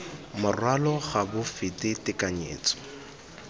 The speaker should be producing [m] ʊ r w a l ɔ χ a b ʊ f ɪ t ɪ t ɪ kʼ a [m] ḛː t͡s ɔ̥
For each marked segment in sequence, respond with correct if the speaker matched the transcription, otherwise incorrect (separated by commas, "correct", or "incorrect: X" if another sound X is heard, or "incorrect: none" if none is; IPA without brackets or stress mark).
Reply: correct, incorrect: ɲ